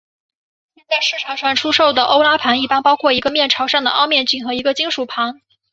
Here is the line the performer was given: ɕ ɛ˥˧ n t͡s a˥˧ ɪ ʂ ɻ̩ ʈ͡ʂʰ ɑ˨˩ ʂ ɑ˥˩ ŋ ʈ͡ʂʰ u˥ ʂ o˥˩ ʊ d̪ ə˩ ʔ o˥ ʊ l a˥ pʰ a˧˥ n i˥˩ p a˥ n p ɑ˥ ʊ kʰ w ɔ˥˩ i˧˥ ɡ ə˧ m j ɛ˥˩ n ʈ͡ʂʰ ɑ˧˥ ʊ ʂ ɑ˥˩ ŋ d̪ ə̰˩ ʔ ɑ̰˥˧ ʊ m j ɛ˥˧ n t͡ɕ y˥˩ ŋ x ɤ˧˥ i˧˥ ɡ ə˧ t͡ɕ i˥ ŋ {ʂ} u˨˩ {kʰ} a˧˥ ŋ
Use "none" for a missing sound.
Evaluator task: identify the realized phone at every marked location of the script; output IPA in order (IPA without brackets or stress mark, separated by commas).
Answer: ʂ, pʰ